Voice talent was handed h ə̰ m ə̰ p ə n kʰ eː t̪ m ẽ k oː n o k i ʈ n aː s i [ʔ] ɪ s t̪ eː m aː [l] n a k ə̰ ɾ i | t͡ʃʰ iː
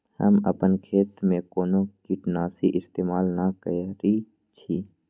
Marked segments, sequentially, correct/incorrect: correct, correct

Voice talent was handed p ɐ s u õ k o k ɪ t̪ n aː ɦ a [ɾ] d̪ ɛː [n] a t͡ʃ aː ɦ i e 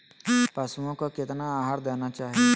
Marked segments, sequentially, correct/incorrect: correct, correct

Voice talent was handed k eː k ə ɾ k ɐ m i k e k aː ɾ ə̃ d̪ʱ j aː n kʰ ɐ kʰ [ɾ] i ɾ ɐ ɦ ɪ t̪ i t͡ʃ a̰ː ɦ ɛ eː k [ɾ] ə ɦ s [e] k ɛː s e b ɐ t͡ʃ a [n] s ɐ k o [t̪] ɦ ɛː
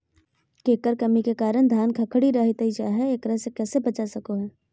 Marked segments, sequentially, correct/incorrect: incorrect: ɽ, correct, correct, incorrect: none, incorrect: none

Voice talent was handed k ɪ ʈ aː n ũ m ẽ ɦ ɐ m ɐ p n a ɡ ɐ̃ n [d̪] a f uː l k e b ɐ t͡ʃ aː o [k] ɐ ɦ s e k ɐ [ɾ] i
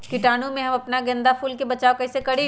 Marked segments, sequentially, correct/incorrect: correct, correct, incorrect: ɽ

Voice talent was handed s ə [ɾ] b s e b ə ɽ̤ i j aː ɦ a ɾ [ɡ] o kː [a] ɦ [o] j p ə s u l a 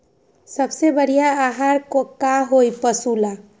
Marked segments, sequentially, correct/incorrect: incorrect: none, incorrect: k, correct, correct

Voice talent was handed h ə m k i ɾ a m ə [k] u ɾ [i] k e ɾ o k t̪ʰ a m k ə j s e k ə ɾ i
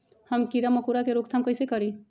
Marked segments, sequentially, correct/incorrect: correct, incorrect: a

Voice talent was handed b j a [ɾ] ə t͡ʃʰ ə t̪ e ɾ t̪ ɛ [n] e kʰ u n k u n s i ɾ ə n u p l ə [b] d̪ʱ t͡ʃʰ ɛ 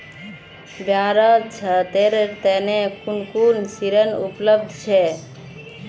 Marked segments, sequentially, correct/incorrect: correct, correct, correct

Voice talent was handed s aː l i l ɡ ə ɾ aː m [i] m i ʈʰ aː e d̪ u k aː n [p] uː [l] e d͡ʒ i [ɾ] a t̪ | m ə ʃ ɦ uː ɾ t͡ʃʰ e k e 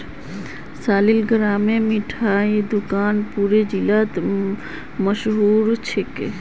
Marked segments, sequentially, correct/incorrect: incorrect: e, correct, incorrect: ɾ, incorrect: l

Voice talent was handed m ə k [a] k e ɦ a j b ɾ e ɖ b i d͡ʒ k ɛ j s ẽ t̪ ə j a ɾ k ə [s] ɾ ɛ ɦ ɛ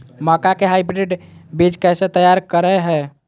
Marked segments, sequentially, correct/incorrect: correct, incorrect: none

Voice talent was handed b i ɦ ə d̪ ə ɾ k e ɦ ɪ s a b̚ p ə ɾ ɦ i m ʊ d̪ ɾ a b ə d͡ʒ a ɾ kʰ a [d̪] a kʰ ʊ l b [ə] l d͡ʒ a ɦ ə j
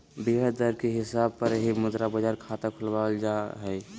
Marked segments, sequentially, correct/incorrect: incorrect: t̪, incorrect: a

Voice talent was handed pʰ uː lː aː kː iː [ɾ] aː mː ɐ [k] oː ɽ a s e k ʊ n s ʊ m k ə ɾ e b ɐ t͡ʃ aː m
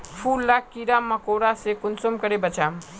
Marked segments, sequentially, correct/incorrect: correct, correct

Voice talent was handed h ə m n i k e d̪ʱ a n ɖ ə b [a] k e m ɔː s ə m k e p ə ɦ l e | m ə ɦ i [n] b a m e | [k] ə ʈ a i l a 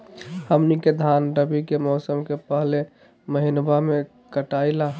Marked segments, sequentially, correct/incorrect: incorrect: i, correct, correct

